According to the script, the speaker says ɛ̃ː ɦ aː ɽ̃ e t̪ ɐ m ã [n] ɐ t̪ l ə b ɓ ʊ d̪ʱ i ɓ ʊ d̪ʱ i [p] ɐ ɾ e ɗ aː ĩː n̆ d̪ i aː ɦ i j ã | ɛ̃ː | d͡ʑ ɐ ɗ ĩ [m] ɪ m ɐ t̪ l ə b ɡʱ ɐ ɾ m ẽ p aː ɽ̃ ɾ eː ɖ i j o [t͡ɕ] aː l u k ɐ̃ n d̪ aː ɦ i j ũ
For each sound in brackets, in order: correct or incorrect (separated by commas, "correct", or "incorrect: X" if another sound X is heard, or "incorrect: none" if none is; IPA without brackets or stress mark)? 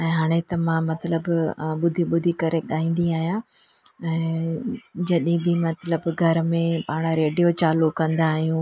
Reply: incorrect: m, incorrect: k, incorrect: b, correct